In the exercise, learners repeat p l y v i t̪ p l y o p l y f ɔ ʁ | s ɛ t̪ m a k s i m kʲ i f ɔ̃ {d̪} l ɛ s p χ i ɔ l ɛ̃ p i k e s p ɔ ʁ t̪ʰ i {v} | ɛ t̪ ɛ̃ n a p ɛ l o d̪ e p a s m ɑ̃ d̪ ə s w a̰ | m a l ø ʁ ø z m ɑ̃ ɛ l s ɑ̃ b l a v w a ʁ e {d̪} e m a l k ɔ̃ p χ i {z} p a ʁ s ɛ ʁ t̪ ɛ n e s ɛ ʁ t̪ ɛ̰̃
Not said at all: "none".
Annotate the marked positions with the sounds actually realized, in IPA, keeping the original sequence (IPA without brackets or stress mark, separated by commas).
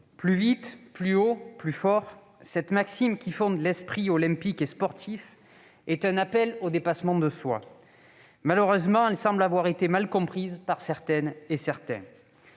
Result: d̪, f, t̪, z